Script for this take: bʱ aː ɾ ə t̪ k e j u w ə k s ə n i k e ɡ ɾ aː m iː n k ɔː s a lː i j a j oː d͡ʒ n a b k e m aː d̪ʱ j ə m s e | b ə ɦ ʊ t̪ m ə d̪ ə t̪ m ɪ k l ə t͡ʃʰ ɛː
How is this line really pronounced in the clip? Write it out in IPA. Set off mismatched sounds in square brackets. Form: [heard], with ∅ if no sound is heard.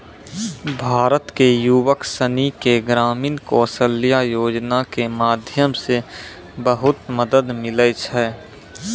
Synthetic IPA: bʱ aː ɾ ə t̪ k e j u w ə k s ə n i k e ɡ ɾ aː m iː n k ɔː s [ə] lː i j a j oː d͡ʒ n a [∅] k e m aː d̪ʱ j ə m s e | b ə ɦ ʊ t̪ m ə d̪ ə [d̪] m ɪ [∅] l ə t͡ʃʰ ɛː